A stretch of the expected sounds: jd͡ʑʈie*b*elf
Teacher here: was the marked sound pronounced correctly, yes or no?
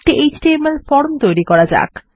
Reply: no